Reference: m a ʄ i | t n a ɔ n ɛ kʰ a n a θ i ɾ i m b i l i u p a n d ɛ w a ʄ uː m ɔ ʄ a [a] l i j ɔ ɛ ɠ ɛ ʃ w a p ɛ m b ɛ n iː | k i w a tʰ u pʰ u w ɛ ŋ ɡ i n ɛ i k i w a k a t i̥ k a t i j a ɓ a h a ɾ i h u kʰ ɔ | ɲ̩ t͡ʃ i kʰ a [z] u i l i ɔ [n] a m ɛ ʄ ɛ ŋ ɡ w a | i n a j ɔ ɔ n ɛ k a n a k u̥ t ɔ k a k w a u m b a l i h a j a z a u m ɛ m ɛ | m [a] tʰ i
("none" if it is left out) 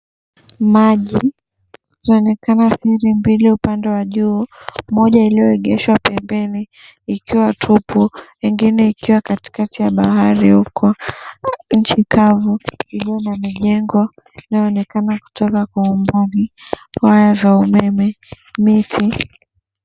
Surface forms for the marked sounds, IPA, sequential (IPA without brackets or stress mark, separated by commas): i, v, n, i